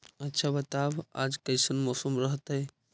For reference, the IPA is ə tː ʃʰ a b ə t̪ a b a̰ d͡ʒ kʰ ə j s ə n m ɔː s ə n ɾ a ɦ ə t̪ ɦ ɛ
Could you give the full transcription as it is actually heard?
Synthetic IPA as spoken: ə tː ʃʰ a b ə t̪ a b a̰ d͡ʒ k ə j s ə n m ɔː s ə m ɾ ə ɦ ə t̪ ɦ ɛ